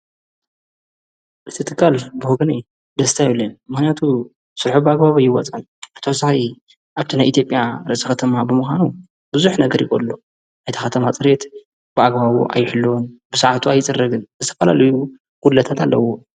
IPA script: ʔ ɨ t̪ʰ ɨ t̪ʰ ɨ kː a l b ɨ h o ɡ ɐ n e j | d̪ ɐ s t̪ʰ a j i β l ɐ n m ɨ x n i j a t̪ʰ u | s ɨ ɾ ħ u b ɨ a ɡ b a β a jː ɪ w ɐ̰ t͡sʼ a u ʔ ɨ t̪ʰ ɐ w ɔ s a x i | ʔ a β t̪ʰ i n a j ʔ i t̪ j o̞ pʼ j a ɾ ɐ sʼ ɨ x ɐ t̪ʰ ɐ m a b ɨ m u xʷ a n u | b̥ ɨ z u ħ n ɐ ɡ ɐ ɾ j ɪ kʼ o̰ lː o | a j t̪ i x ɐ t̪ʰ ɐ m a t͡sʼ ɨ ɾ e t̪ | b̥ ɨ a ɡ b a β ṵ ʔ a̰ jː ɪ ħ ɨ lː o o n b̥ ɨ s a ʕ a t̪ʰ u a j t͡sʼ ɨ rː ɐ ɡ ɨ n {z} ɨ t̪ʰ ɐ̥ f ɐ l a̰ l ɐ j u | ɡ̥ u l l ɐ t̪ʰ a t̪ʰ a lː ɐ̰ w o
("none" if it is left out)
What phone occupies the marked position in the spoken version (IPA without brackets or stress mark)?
z